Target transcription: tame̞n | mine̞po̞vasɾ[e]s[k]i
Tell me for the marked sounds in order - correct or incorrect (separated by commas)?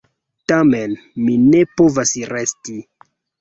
correct, incorrect